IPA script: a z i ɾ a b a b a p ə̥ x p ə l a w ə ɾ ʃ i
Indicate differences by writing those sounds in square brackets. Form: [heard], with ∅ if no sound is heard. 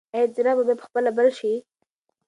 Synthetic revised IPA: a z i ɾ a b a b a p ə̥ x p ə l a [b] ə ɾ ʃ i